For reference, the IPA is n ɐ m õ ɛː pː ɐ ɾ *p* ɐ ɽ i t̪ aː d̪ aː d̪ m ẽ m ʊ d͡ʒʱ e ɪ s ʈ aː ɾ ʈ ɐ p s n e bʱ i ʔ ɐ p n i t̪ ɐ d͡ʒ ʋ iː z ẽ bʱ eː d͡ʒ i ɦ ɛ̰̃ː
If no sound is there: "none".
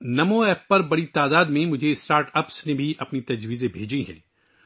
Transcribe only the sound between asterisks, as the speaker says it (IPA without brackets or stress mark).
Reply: b